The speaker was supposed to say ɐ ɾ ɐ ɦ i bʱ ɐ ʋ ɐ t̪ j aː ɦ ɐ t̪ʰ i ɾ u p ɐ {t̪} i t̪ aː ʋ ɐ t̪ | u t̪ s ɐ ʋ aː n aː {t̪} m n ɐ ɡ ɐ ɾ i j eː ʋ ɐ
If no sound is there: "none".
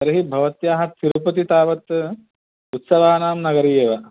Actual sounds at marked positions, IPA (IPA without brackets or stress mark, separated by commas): t̪, none